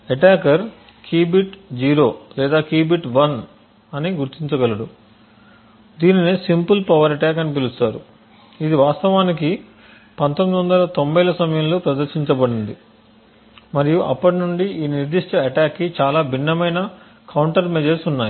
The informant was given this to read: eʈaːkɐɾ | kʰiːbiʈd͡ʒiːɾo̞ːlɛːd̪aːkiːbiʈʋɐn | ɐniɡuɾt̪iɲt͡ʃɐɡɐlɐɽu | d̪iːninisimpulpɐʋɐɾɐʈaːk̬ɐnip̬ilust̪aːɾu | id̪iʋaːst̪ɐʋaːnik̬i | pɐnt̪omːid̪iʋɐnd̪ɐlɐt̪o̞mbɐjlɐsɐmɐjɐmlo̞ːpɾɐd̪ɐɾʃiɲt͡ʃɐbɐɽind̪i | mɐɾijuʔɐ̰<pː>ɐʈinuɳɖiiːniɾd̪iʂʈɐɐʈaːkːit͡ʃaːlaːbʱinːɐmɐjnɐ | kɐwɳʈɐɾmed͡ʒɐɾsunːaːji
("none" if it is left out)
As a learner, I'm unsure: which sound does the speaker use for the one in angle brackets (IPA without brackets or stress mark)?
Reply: pː